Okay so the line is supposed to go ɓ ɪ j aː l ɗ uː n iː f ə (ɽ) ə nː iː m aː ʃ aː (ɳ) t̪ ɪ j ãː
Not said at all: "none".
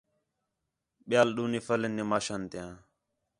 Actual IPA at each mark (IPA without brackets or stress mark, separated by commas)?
l, n